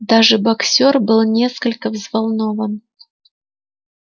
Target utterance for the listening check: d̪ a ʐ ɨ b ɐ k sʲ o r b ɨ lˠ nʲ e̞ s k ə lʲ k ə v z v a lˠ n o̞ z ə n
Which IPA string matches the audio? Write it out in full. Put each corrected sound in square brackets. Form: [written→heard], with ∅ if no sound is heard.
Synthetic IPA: d̪ a ʐ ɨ b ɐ k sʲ o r b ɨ lˠ nʲ e̞ s k ə lʲ k ə v z v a lˠ n o̞ [z→v] ə n

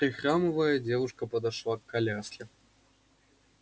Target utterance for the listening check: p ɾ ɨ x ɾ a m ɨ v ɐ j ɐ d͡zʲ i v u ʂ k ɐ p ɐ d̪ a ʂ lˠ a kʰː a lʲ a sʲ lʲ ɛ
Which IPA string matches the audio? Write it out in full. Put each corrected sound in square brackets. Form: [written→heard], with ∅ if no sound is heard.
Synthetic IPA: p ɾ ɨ x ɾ a m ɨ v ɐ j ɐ d͡zʲ [i→ɛ] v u ʂ k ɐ p ɐ d̪ a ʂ lˠ a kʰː a lʲ a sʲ lʲ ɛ

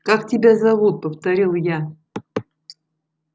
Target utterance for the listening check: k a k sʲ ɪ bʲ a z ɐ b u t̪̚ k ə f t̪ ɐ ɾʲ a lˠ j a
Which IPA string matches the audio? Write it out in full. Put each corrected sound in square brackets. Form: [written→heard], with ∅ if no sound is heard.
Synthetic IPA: k a k [sʲ→tʲ] ɪ bʲ a z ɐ [b→v] u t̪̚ [k→p] ə f t̪ ɐ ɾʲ [a→i] lˠ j a

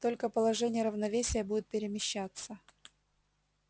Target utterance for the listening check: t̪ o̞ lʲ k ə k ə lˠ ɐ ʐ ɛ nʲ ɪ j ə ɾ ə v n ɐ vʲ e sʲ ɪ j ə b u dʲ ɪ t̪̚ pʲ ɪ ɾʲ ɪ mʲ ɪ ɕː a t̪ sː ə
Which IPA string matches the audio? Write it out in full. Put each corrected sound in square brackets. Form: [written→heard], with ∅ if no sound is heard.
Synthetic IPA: t̪ o̞ lʲ k ə [k→p] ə lˠ ɐ ʐ ɛ nʲ ɪ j ə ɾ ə v n ɐ vʲ e sʲ ɪ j ə b u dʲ ɪ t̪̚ pʲ ɪ ɾʲ ɪ mʲ ɪ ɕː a t̪ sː ə

